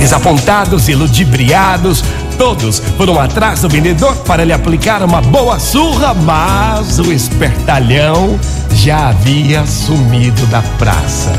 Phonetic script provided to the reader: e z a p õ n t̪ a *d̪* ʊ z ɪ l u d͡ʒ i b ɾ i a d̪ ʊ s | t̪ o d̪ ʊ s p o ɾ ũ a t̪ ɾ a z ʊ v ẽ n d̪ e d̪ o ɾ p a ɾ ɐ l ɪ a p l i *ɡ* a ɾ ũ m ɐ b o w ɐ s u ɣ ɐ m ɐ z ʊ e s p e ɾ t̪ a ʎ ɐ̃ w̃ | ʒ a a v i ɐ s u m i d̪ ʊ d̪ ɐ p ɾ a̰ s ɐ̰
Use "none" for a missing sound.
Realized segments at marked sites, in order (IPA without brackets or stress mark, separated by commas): d̪, k